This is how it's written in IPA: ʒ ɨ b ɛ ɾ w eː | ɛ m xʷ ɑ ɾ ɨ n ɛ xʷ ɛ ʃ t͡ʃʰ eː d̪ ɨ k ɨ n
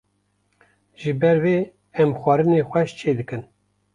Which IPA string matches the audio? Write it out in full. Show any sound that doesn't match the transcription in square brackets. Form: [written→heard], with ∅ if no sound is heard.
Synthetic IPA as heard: ʒ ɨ b ɛ ɾ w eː | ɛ m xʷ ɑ ɾ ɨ n [ɛ→e] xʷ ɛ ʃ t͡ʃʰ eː d̪ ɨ k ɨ n